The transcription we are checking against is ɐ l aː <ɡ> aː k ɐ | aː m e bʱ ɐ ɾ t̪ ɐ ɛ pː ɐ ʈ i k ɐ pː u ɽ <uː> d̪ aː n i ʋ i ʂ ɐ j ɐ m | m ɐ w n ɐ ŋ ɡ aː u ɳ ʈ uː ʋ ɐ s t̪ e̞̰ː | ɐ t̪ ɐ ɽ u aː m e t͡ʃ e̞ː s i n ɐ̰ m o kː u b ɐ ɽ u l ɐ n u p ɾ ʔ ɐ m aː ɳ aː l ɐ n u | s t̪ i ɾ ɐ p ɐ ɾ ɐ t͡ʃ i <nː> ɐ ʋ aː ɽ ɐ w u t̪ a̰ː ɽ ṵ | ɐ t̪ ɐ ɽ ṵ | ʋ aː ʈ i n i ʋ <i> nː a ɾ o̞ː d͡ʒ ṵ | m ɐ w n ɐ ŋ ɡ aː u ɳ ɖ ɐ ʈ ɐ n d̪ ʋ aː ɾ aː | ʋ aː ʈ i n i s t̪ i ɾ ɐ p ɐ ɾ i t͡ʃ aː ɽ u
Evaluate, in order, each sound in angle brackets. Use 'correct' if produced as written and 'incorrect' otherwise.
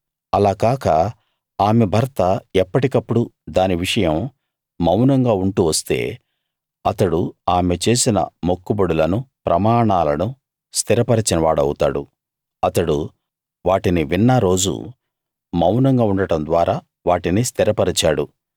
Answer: incorrect: k, incorrect: u, incorrect: n, correct

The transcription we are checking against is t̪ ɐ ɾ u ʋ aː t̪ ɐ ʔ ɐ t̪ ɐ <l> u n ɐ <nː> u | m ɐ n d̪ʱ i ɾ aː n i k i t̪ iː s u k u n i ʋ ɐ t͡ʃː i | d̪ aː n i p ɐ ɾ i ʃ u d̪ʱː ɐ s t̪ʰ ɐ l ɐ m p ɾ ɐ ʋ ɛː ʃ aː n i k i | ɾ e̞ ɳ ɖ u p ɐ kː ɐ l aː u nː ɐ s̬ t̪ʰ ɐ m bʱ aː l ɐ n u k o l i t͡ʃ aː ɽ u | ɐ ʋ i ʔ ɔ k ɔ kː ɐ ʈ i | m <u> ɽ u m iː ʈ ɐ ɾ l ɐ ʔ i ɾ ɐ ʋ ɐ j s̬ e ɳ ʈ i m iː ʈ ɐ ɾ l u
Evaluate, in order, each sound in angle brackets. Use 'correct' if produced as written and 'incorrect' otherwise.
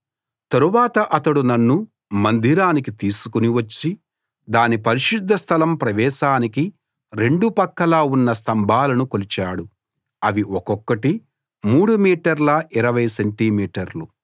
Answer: incorrect: ɽ, correct, incorrect: uː

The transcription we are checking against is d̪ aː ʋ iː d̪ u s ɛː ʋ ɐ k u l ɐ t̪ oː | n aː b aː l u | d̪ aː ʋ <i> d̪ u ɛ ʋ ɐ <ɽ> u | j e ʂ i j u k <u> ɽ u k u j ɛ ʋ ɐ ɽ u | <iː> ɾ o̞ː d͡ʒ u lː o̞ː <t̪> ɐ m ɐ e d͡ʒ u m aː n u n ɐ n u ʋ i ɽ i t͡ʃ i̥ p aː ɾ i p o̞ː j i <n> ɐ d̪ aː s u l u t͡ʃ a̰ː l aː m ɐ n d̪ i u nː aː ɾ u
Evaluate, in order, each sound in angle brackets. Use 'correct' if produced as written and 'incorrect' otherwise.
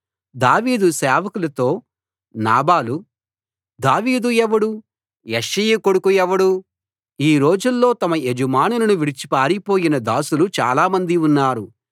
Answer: incorrect: iː, correct, incorrect: o, correct, correct, correct

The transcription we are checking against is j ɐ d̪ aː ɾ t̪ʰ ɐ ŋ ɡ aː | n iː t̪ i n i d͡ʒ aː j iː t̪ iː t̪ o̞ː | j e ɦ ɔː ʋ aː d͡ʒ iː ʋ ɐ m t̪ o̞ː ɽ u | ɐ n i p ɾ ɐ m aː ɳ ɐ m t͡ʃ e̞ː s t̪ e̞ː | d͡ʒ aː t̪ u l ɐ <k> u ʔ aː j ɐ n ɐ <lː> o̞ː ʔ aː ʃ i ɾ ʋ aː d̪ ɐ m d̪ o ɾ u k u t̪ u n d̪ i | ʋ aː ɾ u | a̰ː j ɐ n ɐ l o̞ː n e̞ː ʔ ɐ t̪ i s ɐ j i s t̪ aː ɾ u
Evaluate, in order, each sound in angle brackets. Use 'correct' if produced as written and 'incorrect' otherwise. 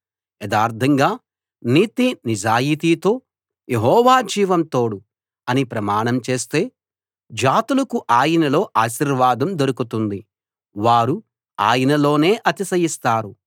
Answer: correct, incorrect: l

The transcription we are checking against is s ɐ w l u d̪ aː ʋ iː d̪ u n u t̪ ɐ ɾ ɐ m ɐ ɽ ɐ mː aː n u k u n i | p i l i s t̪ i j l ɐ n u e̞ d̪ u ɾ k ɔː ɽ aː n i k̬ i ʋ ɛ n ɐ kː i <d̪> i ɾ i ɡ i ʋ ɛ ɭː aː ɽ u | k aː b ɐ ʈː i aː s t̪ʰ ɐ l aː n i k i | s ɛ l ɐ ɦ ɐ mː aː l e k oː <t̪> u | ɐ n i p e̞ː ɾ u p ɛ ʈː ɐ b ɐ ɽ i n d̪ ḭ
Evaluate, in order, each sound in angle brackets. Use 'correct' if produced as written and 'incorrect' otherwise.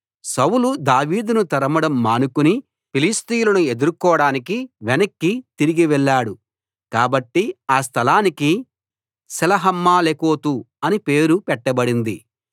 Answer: incorrect: t̪, correct

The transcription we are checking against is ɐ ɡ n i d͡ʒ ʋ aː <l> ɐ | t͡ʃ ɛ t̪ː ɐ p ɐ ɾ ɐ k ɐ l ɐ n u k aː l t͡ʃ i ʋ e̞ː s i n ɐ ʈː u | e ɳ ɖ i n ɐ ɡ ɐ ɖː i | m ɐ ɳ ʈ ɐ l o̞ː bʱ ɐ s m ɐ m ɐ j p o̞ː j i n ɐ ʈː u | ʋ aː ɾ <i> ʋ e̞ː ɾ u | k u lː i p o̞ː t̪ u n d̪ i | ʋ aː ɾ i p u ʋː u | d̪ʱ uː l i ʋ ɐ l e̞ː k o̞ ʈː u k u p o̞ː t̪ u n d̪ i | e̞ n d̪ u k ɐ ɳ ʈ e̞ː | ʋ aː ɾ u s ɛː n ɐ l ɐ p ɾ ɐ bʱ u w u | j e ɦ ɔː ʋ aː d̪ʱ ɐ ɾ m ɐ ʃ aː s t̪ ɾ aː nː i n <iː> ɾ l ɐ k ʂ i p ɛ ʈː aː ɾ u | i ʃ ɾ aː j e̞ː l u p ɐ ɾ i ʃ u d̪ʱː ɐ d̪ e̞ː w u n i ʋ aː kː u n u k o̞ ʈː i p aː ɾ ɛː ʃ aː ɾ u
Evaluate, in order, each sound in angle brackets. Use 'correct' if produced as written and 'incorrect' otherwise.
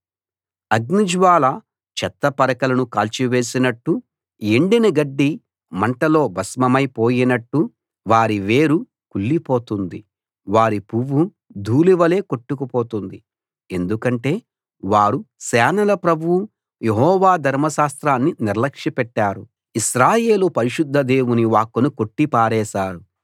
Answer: correct, correct, incorrect: i

